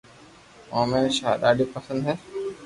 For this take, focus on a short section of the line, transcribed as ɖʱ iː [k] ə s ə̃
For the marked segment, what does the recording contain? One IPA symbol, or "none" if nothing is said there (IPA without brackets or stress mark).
p